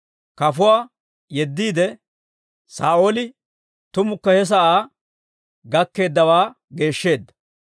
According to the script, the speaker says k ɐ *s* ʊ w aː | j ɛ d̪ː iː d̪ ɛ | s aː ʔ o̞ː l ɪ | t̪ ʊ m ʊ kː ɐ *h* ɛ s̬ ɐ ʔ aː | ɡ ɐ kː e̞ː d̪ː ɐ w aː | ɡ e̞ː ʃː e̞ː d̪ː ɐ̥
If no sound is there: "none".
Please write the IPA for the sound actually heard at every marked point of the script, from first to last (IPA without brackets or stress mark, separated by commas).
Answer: f, h